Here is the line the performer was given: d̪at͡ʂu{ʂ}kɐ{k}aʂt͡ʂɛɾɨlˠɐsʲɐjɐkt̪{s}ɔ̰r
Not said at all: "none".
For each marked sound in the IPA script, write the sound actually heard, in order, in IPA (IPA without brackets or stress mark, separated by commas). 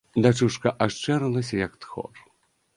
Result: ʂ, ʔ, x